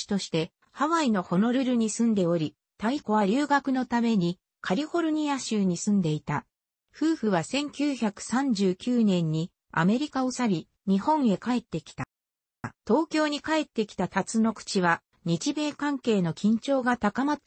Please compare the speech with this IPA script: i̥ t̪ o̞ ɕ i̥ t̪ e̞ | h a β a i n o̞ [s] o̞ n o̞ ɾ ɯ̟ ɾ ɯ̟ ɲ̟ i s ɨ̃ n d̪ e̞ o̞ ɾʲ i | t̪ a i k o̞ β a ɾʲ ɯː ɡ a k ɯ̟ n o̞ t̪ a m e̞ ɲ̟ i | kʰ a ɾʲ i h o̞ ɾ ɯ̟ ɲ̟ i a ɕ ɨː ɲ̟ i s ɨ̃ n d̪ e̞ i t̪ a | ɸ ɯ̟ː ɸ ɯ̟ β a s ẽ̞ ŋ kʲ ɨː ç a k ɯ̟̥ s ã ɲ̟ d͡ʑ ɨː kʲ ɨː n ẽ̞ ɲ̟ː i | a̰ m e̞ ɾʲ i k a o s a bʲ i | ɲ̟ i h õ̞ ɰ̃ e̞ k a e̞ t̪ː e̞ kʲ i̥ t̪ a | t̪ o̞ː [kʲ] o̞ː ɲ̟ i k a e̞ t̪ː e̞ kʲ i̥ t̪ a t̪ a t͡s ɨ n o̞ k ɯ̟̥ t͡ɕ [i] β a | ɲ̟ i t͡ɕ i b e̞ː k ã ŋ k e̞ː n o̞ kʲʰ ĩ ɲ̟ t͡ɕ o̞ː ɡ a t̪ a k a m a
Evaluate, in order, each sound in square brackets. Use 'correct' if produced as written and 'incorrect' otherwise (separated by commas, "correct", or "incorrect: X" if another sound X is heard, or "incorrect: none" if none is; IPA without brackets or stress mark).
incorrect: h, correct, correct